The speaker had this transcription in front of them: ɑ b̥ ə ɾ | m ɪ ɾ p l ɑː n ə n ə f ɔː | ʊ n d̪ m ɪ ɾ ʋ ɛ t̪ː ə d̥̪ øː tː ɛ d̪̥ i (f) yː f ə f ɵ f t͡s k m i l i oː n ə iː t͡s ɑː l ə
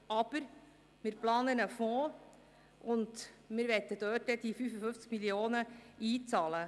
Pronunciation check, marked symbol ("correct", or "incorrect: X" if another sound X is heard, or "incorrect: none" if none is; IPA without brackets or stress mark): correct